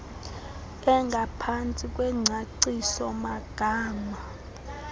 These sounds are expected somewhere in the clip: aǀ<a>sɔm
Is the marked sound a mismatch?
yes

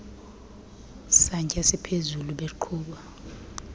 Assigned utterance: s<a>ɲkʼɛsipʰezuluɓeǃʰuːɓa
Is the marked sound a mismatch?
no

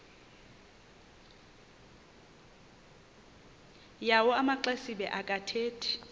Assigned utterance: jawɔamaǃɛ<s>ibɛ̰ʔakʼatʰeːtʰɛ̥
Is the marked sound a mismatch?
no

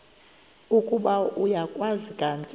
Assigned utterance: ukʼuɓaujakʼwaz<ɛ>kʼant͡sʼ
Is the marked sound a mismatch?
yes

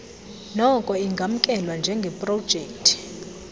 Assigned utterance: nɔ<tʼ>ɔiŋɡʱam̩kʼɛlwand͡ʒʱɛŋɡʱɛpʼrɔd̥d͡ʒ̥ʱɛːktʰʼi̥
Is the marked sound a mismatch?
yes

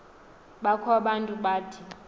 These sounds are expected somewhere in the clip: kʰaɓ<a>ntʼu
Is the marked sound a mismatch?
no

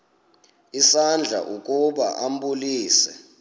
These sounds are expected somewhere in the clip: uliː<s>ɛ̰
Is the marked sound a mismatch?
no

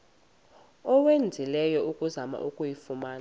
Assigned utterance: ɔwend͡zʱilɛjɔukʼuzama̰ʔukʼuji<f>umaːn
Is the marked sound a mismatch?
no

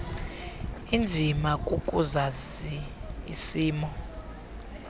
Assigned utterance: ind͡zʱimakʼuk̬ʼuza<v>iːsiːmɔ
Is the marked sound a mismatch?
yes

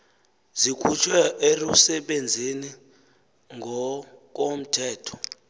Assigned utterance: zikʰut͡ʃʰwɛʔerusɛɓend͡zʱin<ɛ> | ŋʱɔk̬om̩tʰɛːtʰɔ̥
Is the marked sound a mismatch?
yes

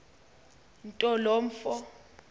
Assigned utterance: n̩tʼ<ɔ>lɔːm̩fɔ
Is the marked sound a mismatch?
no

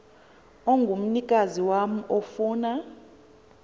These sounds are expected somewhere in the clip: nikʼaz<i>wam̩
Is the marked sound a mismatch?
no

